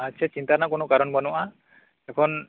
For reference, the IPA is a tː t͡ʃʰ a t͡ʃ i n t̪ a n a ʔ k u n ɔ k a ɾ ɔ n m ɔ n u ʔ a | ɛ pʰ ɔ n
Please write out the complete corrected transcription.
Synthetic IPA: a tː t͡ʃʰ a t͡ʃ i n t̪ a n a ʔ k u n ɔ k a ɾ ɔ n b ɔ n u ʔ a | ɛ kʰ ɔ n